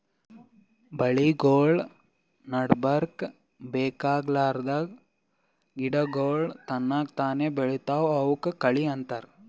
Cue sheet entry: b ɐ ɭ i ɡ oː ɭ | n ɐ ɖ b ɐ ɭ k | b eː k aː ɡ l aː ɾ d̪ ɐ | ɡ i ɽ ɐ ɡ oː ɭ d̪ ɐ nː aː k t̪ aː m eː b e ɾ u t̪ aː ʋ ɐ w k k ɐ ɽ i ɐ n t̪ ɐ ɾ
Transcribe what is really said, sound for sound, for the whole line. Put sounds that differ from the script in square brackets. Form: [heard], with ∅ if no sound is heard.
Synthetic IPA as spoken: b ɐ ɭ i ɡ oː ɭ | n ɐ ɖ b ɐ [ɾ] k | b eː k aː ɡ l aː ɾ d̪ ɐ | ɡ i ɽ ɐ ɡ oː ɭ [t̪] ɐ nː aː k t̪ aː [n] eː b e [ɭ] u t̪ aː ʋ ɐ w k k ɐ [ɭ] i ɐ n t̪ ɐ ɾ